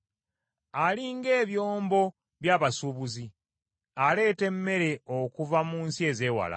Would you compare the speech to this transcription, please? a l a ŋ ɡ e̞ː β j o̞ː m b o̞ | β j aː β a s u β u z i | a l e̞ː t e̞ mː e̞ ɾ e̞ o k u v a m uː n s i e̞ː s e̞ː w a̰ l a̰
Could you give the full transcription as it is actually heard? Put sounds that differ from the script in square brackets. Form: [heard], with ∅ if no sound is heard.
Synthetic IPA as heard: a l [i] ŋ ɡ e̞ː β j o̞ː m b o̞ | β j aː β a s u β u z i | a l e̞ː t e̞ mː e̞ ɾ e̞ o k u v a m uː n s i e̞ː [z] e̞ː w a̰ l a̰